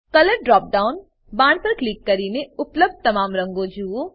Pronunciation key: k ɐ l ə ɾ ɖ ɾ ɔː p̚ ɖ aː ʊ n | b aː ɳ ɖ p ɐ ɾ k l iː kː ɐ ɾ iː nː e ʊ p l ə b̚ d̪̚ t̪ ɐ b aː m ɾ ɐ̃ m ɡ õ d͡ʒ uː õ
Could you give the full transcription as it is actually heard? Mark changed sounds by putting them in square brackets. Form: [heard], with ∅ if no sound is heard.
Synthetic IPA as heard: k ɐ l ə ɾ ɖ ɾ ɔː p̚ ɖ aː ʊ n | b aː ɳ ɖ p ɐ ɾ k l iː kː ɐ ɾ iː [n] e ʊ p l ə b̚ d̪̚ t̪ ɐ [m] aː m ɾ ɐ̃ [ŋ] ɡ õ d͡ʒ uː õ